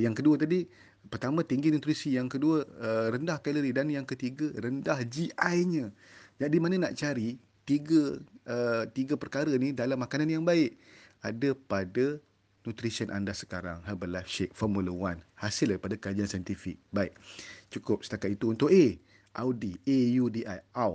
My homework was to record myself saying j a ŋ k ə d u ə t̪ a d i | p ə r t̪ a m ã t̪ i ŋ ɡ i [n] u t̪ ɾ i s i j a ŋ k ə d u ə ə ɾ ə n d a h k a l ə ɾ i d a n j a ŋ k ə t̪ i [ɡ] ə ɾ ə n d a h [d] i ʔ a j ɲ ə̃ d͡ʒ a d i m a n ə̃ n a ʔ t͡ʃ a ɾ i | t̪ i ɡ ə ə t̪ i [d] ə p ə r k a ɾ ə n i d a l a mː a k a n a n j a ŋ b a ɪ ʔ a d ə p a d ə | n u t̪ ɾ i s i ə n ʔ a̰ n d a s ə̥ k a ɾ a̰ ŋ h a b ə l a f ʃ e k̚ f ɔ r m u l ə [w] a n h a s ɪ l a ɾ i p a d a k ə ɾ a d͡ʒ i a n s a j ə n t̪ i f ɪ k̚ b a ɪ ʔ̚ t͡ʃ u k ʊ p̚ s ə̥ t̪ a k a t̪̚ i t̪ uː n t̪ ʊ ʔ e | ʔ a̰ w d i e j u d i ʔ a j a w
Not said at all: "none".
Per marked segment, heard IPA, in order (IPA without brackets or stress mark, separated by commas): n, ɡ, d͡ʒ, ɡ, w